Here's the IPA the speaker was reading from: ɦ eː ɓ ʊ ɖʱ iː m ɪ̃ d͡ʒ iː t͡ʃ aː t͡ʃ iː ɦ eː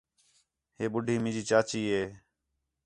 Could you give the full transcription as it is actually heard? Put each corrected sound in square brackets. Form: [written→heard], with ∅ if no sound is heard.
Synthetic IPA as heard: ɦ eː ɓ ʊ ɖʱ iː m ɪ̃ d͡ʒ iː t͡ʃ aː t͡ʃ iː ɦ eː

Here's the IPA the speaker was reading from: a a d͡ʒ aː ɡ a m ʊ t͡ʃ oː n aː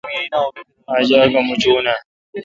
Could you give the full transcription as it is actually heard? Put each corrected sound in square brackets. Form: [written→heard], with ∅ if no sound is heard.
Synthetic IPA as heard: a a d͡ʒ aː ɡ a m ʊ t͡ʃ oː n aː

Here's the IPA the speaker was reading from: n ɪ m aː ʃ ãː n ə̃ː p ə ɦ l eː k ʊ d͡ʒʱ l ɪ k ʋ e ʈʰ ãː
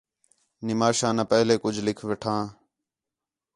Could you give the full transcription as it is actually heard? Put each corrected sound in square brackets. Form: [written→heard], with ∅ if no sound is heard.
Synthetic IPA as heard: n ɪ m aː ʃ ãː n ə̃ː p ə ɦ l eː k ʊ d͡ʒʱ l ɪ [k→kʰ] ʋ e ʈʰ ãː

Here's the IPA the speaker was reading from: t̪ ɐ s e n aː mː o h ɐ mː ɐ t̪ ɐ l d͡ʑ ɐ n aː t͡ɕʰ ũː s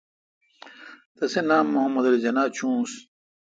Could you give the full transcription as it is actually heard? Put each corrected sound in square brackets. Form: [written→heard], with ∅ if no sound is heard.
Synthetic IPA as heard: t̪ ɐ s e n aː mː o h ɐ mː ɐ [t̪→d̪] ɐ l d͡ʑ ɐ n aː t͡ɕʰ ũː s

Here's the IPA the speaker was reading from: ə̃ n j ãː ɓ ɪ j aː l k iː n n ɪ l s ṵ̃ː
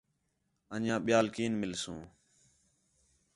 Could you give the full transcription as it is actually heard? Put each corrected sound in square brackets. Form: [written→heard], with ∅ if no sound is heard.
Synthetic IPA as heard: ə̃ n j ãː ɓ ɪ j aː l k iː n [n→m] ɪ l s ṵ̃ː

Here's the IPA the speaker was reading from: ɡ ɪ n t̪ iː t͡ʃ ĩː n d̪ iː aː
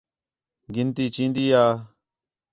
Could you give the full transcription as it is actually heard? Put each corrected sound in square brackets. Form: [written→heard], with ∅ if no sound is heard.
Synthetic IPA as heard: ɡ ɪ n t̪ iː t͡ʃ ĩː n d̪ iː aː

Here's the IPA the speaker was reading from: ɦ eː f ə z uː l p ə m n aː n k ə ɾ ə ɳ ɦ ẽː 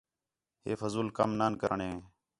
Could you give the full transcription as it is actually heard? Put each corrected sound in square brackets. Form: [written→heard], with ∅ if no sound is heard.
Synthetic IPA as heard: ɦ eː f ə z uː l [p→k] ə m n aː n k ə ɾ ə ɳ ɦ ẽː

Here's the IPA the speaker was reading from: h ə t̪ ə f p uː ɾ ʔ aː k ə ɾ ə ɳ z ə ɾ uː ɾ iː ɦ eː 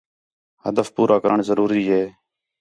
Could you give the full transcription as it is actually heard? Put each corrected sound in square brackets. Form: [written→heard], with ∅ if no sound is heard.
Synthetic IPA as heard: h ə [t̪→d̪] ə f p uː ɾ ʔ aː k ə ɾ ə ɳ z ə ɾ uː ɾ iː ɦ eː

